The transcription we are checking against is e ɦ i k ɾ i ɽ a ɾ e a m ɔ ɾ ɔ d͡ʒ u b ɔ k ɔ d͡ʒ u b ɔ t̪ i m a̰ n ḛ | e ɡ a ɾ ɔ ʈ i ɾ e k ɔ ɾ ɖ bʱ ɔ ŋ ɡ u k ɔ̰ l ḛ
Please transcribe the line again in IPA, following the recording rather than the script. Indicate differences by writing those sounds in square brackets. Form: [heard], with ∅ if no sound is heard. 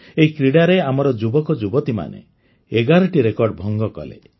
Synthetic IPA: e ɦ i k ɾ i ɽ a ɾ e a m ɔ ɾ ɔ d͡ʒ u b ɔ k ɔ d͡ʒ u b ɔ t̪ i m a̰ n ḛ | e ɡ a ɾ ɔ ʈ i ɾ e k ɔ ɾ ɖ bʱ ɔ ŋ ɡ [ɔ] k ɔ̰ l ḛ